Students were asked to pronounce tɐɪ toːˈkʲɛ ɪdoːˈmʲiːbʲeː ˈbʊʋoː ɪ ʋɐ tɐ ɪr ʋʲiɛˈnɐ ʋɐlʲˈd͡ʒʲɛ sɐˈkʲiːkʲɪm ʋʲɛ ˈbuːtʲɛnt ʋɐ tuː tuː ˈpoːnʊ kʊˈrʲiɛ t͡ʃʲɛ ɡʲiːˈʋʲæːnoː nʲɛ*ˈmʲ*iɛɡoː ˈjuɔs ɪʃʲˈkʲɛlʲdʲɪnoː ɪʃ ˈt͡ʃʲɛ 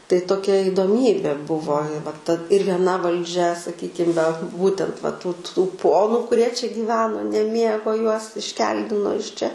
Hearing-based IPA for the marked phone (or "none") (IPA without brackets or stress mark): mʲ